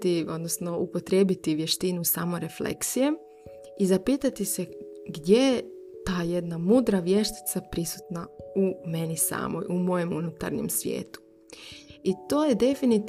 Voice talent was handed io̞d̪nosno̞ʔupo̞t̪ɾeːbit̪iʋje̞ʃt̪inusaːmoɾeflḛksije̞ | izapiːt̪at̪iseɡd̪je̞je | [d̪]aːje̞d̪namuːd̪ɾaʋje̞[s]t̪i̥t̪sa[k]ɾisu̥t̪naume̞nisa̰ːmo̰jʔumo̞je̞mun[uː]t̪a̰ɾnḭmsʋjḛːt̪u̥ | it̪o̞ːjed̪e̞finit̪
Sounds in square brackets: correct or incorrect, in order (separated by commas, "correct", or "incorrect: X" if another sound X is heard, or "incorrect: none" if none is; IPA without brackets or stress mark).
incorrect: t̪, incorrect: ʃ, incorrect: p, incorrect: u